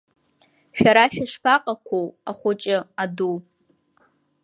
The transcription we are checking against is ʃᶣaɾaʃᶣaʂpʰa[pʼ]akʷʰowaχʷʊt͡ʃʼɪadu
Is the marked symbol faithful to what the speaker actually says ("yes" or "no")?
no